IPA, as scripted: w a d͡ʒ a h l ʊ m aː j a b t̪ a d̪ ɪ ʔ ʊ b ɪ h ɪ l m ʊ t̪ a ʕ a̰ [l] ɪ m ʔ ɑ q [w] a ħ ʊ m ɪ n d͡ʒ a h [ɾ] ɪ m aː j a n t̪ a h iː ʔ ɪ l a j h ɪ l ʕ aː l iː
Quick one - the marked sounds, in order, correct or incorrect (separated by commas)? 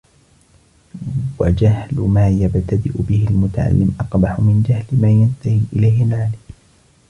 incorrect, incorrect, incorrect